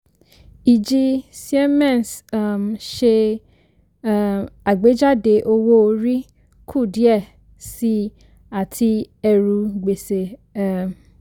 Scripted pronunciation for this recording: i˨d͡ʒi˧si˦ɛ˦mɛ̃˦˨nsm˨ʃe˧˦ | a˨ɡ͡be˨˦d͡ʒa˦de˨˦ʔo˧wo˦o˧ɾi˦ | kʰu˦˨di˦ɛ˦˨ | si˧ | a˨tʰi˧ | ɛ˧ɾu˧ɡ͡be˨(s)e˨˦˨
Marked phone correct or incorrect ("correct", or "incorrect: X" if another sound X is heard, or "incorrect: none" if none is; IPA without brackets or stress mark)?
correct